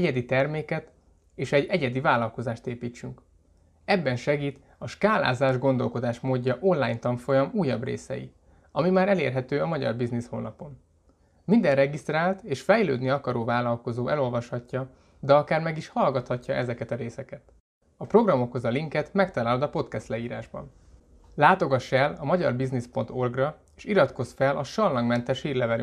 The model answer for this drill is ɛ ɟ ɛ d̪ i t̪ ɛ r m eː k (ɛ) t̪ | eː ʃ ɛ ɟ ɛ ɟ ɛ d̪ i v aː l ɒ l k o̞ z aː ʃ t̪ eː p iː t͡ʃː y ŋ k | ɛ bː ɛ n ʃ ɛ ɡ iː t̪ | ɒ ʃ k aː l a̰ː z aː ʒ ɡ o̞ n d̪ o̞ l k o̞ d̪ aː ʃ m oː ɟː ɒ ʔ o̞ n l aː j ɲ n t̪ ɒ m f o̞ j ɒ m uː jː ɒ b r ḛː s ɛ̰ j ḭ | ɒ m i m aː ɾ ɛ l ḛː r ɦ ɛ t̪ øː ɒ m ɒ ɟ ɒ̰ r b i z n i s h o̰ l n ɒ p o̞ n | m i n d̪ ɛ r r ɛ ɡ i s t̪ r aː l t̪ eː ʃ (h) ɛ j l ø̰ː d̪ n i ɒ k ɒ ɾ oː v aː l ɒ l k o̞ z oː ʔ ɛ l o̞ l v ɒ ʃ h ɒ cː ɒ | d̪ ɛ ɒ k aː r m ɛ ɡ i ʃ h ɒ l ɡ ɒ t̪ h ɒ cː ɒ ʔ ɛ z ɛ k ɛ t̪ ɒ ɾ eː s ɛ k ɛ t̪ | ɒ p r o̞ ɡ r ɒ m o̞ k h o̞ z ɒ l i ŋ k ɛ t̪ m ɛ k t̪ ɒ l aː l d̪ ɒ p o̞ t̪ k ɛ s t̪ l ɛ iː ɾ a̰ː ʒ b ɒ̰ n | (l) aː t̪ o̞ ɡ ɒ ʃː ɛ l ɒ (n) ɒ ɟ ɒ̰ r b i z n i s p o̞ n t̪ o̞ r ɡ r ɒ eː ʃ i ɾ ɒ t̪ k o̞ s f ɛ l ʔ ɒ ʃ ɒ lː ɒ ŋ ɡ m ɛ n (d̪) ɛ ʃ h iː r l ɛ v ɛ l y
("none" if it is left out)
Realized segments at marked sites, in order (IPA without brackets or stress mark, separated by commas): ɛ, f, l, m, t̪